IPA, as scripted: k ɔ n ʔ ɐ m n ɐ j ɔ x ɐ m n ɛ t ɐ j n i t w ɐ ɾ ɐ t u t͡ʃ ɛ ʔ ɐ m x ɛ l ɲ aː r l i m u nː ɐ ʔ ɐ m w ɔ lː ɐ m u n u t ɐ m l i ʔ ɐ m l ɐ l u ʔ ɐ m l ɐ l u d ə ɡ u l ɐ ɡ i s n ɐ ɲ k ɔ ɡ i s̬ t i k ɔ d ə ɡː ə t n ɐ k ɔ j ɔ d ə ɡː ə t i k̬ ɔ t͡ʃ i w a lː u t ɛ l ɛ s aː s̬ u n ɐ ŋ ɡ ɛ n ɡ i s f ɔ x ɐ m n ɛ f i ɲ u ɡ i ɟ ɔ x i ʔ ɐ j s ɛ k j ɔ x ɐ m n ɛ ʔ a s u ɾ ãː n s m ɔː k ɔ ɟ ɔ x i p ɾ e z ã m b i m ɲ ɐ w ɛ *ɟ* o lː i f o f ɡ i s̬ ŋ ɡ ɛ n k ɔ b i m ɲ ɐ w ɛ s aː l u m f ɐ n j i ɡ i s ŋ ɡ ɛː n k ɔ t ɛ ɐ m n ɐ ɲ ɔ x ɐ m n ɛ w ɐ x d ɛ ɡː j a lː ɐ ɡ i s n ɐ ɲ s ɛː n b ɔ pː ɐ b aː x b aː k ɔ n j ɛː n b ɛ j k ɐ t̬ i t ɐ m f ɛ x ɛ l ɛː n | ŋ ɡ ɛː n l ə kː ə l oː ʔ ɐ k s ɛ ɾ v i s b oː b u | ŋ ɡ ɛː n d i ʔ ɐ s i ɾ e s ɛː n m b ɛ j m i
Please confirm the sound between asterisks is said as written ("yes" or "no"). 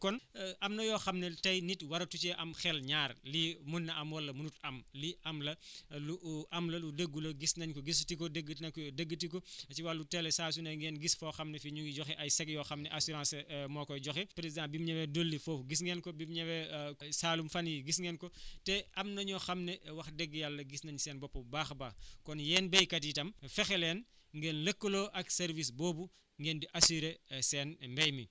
no